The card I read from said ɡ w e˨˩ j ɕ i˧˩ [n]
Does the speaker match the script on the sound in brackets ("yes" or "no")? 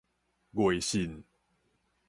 yes